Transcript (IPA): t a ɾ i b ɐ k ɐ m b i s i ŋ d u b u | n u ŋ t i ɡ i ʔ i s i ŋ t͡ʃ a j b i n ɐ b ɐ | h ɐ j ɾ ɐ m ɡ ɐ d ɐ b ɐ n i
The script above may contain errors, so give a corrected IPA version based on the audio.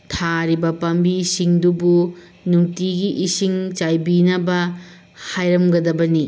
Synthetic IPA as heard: tʰ a ɾ i b ɐ p ɐ m b i s i ŋ d u b u | n u ŋ t i ɡ i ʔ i s i ŋ t͡ʃ a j b i n ɐ b ɐ | h a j ɾ ɐ m ɡ ɐ d ɐ b ɐ n i